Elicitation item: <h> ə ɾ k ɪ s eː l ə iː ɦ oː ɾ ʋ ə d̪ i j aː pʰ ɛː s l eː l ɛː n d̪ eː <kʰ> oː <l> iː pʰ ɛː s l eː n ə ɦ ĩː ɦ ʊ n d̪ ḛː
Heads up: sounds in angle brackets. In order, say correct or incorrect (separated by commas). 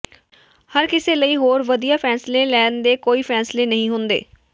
correct, incorrect, incorrect